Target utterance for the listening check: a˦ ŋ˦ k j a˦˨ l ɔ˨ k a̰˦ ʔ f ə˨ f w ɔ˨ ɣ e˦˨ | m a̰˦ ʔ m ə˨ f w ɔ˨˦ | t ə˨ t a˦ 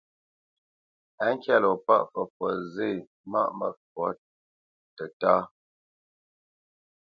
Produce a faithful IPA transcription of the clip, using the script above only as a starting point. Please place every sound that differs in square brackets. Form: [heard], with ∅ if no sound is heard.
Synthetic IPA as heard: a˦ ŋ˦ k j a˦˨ l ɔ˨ [p] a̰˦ ʔ f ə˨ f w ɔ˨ [z] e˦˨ | m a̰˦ ʔ m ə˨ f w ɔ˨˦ | t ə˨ t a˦